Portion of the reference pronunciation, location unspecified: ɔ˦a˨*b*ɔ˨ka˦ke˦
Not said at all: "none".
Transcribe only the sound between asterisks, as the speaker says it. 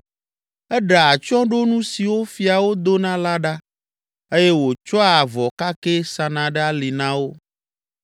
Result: v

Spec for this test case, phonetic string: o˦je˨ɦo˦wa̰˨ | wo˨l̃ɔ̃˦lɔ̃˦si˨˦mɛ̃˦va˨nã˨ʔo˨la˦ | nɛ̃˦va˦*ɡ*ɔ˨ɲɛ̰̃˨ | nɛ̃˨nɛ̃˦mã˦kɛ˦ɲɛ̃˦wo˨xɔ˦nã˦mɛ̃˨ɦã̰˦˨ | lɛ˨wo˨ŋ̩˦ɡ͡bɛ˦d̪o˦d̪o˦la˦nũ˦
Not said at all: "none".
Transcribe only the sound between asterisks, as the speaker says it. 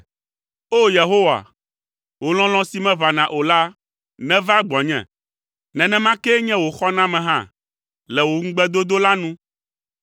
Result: ɡ͡b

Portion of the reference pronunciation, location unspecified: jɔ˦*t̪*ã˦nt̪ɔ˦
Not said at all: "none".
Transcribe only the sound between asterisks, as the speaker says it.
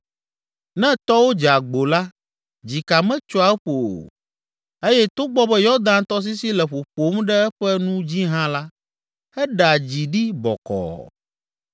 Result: d̪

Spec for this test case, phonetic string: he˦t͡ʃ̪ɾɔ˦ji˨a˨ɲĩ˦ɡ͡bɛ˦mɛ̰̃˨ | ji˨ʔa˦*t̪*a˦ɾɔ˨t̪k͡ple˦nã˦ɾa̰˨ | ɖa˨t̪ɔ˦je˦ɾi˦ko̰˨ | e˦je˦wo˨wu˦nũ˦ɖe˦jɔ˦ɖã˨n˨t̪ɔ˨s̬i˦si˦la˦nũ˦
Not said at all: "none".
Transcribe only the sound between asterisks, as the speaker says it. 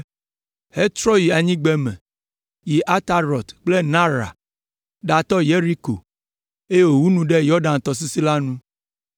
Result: t̪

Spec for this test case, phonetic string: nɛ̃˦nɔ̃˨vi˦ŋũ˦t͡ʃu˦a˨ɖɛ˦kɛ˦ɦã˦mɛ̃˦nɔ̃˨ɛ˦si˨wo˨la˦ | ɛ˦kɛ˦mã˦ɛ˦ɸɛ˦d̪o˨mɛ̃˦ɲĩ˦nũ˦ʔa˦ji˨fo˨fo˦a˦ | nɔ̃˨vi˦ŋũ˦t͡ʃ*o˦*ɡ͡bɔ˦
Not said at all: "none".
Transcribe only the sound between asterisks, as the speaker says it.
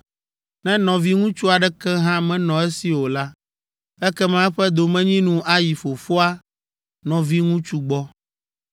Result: u˦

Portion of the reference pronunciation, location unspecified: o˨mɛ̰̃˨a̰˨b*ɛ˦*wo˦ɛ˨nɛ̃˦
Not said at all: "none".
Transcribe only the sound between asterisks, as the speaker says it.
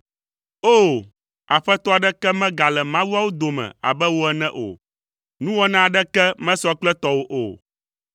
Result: ɛ˦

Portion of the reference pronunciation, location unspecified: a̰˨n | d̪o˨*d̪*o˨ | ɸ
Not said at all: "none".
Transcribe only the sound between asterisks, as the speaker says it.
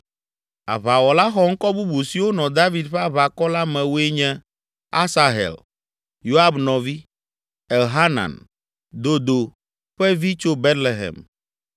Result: d̪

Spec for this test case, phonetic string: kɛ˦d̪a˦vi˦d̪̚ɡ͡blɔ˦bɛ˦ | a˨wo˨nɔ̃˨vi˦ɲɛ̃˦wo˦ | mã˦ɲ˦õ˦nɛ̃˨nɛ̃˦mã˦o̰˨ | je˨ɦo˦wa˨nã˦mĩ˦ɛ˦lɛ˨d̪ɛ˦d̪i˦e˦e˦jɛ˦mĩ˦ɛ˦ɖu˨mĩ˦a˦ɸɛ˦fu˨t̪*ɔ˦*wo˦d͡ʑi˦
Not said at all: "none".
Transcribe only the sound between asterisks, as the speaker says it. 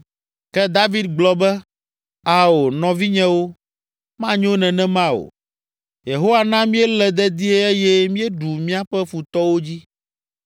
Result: ɔ˦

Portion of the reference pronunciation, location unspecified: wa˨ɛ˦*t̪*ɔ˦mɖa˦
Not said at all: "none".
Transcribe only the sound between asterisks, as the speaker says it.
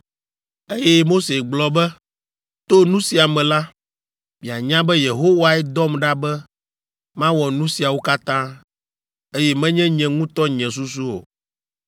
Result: d̪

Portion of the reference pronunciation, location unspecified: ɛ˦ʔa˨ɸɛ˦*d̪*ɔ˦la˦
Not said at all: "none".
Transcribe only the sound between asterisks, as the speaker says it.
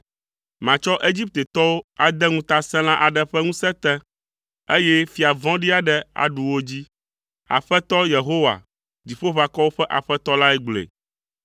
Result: t̪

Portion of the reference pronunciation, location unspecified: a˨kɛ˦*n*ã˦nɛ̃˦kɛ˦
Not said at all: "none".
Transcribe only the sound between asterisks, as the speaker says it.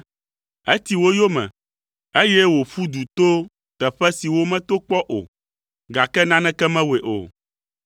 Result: n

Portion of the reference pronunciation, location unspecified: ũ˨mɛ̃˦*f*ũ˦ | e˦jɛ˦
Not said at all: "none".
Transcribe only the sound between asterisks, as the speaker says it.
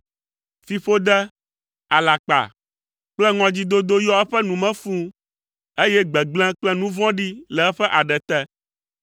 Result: f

